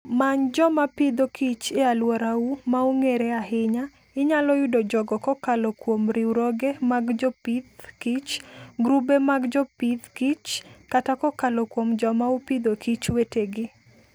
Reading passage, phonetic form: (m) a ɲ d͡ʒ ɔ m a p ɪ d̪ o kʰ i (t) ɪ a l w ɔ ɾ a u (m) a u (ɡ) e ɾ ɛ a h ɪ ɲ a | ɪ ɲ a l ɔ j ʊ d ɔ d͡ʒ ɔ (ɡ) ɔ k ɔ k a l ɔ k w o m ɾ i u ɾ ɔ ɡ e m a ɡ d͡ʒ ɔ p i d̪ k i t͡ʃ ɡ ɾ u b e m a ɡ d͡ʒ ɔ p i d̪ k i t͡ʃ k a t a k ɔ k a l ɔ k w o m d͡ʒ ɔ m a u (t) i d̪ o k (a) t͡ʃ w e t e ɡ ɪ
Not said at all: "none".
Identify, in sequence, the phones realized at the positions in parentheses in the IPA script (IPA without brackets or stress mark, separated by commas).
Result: m, t͡ʃ, m, ŋ, ɡ, p, i